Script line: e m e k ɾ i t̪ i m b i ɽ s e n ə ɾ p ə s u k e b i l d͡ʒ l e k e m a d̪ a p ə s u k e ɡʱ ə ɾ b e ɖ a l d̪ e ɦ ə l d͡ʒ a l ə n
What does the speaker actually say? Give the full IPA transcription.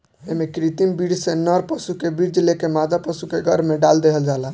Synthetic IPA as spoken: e m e k ɾ i t̪ i m b i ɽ s e n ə ɾ p ə s u k e b i ɾ d͡ʒ l e k e m a d̪ a p ə s u k e ɡʱ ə ɾ m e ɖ a l d̪ e ɦ ə l d͡ʒ a l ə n

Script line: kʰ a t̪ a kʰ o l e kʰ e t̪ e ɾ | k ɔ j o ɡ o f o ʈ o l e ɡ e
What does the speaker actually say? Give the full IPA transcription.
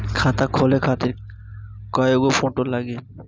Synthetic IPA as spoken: kʰ a t̪ a kʰ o l e kʰ a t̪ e ɾ | k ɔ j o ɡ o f o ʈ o l a ɡ e

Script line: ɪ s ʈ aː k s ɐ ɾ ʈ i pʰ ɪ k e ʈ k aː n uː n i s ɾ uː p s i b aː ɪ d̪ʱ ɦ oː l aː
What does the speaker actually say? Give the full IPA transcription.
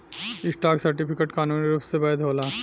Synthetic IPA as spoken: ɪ s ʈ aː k s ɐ ɾ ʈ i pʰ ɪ k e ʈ k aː n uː n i ɾ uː p s e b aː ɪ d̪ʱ ɦ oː l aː

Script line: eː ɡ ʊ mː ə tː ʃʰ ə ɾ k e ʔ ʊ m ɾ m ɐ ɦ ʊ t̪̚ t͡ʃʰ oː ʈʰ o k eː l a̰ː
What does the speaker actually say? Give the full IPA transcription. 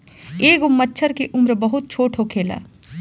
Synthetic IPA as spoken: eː ɡ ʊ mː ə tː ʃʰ ə ɾ k e ʔ ʊ m ɾ b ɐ ɦ ʊ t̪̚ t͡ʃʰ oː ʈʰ o kʰ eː l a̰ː

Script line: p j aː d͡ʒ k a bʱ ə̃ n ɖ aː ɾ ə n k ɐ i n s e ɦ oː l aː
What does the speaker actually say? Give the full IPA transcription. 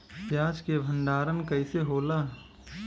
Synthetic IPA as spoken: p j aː d͡ʒ k e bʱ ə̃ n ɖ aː ɾ ə n k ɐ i s e ɦ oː l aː

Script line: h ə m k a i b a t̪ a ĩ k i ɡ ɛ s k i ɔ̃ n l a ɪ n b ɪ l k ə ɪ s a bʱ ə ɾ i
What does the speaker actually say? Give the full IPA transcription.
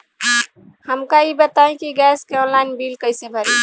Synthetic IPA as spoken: h ə m k a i b ə t̪ a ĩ k i ɡ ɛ s k e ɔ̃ n l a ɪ n b i l k ə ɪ s e bʱ ə ɾ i

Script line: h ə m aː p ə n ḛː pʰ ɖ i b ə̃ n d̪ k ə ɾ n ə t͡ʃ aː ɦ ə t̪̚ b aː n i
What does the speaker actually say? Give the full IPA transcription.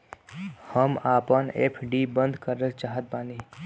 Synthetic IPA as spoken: h ə m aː p ə n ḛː pʰ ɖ i b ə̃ n d̪ k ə ɾ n ə t͡ʃ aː ɦ ə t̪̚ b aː n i

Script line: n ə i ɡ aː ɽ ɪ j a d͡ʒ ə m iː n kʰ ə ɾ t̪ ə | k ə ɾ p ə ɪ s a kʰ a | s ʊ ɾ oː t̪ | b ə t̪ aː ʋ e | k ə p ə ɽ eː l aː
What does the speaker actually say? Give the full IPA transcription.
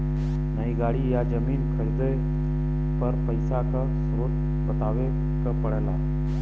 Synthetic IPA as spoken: n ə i ɡ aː ɽ i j a d͡ʒ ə m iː n kʰ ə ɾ d̪ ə | p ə ɾ p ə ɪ s a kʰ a | s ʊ ɾ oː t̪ | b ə t̪ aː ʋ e | k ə p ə ɽ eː l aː

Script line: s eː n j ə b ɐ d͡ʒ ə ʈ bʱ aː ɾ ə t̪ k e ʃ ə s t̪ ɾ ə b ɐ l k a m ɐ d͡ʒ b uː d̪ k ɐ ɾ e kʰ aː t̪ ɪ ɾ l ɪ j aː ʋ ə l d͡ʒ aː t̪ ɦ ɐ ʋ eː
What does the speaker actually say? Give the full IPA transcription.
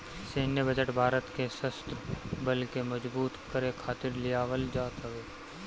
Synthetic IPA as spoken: s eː n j ə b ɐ d͡ʒ ə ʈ bʱ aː ɾ ə t̪ k e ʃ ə s t̪ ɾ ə b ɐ l k e m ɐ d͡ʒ b uː t̪ k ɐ ɾ e kʰ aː t̪ ɪ ɾ l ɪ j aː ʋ ə l d͡ʒ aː t̪ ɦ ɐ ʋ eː

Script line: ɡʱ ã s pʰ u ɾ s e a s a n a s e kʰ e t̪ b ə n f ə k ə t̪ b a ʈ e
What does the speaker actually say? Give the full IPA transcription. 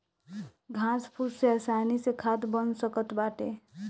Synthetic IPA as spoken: ɡʱ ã s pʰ u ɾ s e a s a n i s e kʰ a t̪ b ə n s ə k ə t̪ b a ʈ e

